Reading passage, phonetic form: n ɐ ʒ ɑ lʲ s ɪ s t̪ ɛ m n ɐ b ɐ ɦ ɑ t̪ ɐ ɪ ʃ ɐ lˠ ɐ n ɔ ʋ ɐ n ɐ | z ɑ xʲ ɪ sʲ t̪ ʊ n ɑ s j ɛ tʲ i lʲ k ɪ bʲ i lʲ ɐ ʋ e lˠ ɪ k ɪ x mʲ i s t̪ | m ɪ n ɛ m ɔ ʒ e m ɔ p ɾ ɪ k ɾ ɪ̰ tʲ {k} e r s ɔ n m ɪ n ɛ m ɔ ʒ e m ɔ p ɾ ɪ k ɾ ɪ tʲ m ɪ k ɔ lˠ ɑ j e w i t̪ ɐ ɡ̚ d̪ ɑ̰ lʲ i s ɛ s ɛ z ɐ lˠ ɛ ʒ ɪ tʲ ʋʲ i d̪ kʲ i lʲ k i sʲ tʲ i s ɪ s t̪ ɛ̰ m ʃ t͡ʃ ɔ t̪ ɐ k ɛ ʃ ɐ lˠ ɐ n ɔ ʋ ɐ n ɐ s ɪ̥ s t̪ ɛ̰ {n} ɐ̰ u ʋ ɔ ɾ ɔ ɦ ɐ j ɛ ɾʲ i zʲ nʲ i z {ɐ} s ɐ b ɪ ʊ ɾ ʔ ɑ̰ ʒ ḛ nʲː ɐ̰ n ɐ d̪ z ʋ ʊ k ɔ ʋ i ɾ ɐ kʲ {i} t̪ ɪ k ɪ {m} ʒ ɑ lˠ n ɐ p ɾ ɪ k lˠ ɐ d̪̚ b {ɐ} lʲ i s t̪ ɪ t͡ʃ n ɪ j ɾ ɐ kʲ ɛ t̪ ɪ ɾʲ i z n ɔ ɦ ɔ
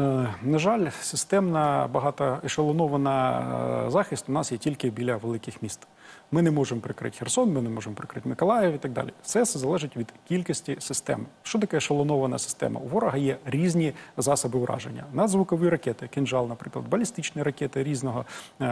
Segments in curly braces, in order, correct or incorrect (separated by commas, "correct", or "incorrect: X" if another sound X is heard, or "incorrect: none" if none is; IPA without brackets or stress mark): incorrect: x, incorrect: m, incorrect: ɑ, incorrect: ɛ, incorrect: n, correct